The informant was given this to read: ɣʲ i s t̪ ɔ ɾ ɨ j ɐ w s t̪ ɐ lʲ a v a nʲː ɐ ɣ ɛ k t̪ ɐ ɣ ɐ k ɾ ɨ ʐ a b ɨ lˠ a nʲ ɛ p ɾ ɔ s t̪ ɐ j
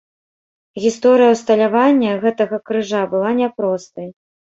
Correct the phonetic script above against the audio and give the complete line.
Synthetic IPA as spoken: ɣʲ i s t̪ ɔ ɾ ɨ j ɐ w s t̪ ɐ lʲ a v a nʲː ɐ ɣ ɛ t̪ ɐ ɣ ɐ k ɾ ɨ ʐ a b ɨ lˠ a nʲ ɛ p ɾ ɔ s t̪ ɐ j

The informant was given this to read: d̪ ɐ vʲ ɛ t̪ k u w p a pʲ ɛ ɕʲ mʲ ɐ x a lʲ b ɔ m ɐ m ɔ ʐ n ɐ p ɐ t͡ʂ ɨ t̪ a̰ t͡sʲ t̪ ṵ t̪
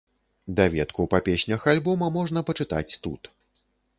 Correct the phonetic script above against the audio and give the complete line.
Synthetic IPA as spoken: d̪ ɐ vʲ ɛ t̪ k u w p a pʲ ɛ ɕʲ nʲ ɐ x a lʲ b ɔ m ɐ m ɔ ʐ n ɐ p ɐ t͡ʂ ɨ t̪ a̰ t͡sʲ t̪ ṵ t̪

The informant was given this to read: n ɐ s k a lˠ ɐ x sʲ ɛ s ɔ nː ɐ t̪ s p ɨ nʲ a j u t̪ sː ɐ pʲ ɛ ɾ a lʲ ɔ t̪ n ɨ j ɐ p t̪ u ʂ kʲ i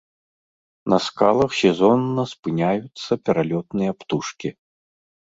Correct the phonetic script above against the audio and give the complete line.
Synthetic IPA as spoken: n ɐ s k a lˠ ɐ x sʲ ɛ z ɔ nː ɐ s p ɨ nʲ a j u t̪ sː ɐ pʲ ɛ ɾ a lʲ ɔ t̪ n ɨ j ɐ p t̪ u ʂ kʲ i

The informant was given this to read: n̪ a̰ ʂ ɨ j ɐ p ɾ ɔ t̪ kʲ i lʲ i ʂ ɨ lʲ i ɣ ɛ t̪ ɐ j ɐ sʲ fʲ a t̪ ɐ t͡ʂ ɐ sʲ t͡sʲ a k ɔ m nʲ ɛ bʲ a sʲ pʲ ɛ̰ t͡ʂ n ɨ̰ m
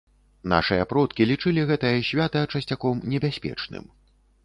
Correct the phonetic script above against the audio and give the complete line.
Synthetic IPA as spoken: n̪ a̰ ʂ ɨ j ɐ p ɾ ɔ t̪ kʲ i lʲ i t͡ʂ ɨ lʲ i ɣ ɛ t̪ ɐ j ɐ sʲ vʲ a t̪ ɐ t͡ʂ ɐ sʲ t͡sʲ a k ɔ m nʲ ɛ bʲ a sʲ pʲ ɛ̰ t͡ʂ n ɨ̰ m

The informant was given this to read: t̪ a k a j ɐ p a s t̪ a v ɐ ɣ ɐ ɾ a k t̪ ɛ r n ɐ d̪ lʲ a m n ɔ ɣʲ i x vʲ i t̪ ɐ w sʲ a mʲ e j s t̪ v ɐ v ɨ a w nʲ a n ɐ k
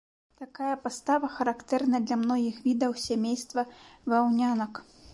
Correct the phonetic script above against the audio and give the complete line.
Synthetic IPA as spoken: t̪ a k a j ɐ p a s t̪ a v ɐ x ɐ ɾ a k t̪ ɛ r n ɐ d̪ lʲ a m n ɔ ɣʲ i x vʲ i d̪ ɐ w sʲ a mʲ e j s t̪ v ɐ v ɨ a w nʲ a n ɐ k

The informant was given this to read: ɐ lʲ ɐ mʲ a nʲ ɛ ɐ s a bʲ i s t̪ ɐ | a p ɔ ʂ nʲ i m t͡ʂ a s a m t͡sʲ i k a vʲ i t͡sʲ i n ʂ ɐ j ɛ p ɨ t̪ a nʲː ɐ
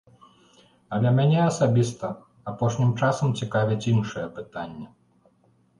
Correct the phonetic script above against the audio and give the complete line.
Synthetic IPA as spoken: ɐ lʲ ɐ mʲ a nʲ ɛ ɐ s a bʲ i s t̪ ɐ | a p ɔ ʂ nʲ i m t͡ʂ a s ɐ m t͡sʲ i k a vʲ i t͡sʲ i n ʂ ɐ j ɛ p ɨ t̪ a nʲː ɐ

